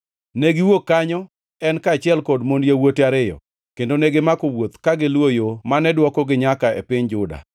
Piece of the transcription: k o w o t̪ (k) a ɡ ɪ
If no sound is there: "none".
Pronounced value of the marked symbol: k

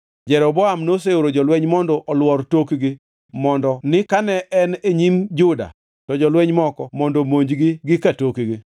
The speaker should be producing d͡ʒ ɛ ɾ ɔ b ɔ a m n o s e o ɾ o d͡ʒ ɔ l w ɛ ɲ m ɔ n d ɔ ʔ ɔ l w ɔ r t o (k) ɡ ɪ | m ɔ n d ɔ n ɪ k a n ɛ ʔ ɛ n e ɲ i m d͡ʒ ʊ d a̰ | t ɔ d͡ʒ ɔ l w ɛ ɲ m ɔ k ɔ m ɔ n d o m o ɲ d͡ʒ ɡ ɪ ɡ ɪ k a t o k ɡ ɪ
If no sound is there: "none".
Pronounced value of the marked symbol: k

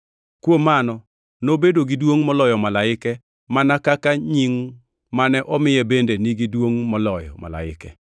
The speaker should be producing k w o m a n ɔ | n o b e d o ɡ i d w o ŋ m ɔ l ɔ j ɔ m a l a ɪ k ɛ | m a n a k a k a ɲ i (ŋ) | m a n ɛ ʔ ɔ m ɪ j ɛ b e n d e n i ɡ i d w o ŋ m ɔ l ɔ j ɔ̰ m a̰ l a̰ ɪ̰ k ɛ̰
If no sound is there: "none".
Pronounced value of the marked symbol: ŋ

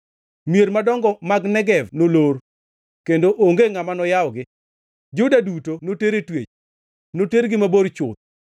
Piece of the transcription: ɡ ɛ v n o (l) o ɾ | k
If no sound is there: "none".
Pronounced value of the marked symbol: l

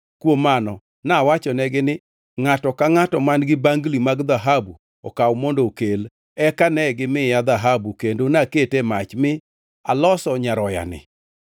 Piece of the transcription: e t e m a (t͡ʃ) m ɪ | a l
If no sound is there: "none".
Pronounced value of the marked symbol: t͡ʃ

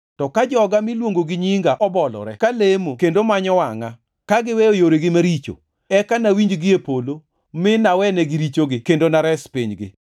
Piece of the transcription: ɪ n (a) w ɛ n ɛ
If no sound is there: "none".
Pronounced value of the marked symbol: a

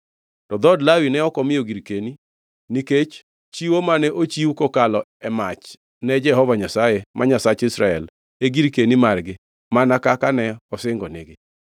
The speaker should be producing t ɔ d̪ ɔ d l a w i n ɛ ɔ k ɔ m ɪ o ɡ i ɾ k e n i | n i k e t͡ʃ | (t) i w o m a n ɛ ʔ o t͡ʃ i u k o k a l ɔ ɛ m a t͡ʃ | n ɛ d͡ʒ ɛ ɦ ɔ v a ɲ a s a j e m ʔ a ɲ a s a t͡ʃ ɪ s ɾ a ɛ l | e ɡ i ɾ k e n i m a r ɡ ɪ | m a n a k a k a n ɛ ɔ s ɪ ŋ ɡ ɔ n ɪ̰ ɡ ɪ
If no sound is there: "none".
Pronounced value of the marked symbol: t͡ʃ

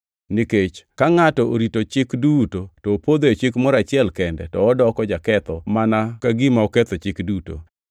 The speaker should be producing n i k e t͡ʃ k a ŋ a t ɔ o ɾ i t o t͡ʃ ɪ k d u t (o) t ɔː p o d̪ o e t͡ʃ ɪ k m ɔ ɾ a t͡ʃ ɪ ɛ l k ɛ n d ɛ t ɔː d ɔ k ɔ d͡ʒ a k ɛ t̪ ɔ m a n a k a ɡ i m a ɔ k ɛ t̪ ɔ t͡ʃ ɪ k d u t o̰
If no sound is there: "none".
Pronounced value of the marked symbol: o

